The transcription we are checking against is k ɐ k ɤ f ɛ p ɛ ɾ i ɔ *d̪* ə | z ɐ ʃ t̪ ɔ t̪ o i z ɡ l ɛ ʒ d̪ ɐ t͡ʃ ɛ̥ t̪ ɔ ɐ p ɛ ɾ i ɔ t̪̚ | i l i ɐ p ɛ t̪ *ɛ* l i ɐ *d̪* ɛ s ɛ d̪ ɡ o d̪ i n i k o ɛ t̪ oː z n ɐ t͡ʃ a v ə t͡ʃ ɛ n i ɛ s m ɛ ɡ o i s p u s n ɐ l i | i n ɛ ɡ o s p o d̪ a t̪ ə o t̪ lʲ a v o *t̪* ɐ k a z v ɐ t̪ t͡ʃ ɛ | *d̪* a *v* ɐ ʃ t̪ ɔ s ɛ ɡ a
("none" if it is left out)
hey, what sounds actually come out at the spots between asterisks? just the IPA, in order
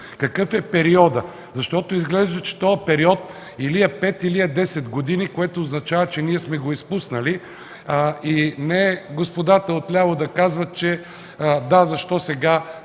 d̪, i, d̪, d̪, d̪, z

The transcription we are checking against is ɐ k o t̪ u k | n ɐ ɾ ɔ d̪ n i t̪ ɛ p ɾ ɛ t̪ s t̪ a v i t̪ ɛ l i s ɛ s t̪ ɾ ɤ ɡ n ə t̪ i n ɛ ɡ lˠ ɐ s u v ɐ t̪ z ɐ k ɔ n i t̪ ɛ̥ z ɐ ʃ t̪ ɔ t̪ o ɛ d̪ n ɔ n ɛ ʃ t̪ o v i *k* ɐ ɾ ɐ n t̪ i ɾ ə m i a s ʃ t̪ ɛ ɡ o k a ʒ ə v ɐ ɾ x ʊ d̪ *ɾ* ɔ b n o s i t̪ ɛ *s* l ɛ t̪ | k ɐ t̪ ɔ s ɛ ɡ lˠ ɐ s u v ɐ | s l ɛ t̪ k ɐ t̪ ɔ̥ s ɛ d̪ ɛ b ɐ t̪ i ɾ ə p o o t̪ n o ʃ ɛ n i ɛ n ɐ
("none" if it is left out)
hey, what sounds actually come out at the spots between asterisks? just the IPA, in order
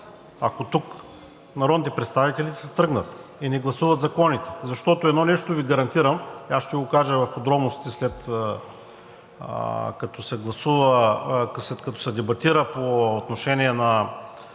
ɡ, ɾ, s

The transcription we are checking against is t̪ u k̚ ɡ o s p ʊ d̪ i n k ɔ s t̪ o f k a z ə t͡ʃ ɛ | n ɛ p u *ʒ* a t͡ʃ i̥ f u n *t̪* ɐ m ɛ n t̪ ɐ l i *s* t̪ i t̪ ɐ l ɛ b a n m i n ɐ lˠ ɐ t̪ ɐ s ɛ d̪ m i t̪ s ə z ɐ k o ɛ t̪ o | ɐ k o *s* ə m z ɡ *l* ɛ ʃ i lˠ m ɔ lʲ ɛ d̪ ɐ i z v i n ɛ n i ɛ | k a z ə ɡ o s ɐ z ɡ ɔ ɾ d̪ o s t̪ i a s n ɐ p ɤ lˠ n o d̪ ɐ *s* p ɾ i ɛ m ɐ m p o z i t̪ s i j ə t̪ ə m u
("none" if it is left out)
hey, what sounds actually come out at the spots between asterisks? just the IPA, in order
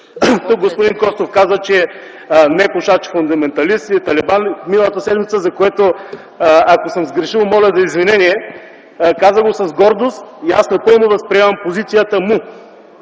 ʃ, d̪, s, s, ɾ, s

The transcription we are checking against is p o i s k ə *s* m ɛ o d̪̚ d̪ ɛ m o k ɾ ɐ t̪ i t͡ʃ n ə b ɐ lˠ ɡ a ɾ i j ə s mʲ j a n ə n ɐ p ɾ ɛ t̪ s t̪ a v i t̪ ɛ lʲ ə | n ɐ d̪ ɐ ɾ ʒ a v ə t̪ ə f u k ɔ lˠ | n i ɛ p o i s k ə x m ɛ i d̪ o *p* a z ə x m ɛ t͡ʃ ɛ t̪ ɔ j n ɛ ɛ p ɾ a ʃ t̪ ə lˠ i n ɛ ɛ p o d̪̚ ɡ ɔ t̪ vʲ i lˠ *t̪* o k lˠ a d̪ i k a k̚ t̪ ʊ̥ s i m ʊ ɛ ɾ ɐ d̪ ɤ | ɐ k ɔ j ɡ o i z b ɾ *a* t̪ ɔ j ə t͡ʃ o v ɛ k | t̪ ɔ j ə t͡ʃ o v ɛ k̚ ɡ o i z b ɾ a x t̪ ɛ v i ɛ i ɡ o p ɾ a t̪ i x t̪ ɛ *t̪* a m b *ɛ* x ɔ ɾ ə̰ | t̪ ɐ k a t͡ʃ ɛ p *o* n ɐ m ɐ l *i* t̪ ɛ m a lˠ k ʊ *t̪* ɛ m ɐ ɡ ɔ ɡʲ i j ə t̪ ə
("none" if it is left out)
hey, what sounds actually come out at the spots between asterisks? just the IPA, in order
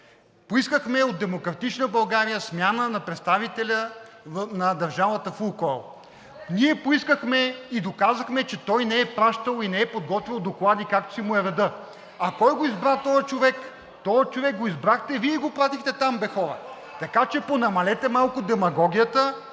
x, k, d̪, a, t̪, ɛ, o, ɛ, d̪

